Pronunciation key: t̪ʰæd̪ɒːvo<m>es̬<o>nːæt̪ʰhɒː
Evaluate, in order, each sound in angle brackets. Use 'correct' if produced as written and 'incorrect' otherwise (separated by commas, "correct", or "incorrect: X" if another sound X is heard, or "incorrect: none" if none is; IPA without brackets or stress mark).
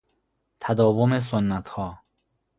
correct, correct